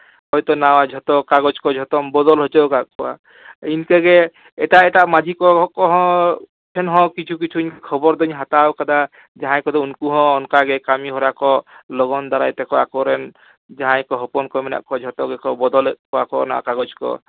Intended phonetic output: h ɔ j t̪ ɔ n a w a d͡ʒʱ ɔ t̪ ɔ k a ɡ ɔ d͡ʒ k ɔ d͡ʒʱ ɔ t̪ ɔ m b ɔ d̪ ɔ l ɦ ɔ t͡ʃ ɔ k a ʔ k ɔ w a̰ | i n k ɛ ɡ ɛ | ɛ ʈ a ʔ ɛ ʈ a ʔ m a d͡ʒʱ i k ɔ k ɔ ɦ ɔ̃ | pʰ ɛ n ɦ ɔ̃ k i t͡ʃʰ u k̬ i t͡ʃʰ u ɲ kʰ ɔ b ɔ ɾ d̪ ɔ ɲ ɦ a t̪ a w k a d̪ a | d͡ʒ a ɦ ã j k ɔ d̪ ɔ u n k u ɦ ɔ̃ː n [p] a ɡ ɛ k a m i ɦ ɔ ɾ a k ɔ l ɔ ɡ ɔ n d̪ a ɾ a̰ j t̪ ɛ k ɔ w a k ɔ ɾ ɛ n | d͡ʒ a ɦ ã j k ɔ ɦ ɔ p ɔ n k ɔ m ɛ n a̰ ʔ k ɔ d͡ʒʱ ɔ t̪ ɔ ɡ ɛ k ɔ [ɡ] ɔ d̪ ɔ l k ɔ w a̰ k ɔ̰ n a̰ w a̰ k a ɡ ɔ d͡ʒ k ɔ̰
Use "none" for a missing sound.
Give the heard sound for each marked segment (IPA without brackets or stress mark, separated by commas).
k, b